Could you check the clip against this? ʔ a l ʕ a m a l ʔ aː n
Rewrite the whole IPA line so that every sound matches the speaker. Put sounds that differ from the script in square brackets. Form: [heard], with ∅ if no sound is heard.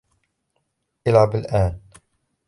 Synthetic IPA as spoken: ʔ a l ʕ a [b] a l ʔ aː n